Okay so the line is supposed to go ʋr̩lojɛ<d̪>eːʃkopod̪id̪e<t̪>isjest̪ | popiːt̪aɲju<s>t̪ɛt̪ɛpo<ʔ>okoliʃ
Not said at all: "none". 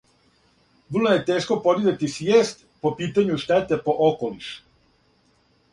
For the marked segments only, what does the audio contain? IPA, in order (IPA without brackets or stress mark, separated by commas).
t̪, t̪, ʃ, ʔ